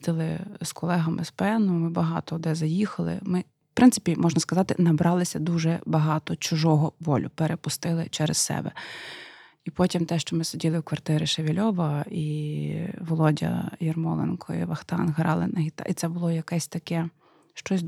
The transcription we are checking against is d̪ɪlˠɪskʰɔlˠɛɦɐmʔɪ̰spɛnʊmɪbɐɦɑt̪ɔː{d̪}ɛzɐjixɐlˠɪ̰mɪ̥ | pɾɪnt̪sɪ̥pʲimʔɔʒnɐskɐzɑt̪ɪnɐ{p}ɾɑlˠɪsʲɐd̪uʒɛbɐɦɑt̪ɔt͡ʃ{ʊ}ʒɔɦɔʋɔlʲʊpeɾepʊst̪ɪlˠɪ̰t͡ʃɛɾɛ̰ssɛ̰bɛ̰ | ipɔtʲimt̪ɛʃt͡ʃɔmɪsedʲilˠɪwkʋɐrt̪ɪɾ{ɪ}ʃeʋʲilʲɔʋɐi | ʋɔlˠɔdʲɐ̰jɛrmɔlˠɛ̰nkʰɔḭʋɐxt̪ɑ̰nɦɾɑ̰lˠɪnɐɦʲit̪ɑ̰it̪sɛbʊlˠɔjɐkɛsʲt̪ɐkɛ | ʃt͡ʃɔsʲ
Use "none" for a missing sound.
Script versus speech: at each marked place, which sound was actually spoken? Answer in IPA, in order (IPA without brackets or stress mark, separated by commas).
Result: d̪, b, ʊ, ɪ